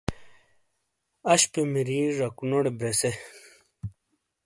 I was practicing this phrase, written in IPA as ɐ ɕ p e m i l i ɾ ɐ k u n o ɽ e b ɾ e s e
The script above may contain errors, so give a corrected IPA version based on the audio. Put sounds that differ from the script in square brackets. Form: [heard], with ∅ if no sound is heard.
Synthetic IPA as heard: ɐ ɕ p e m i [ɾ] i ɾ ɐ k u n o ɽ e b ɾ e s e